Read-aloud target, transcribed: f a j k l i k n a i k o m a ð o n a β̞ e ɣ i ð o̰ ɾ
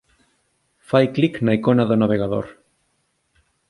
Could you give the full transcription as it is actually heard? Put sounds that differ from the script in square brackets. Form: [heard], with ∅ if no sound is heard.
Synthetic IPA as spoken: f a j k l i k n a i k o [n] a ð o n a β̞ e ɣ [a] ð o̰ ɾ